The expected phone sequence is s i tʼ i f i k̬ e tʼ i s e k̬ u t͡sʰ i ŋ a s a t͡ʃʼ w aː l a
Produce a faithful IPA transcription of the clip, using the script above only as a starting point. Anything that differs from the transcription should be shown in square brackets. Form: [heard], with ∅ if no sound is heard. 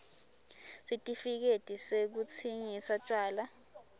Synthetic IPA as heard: s i tʼ i f i k̬ e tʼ i s e k̬ u t͡sʰ i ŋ [i] s a t͡ʃʼ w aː l a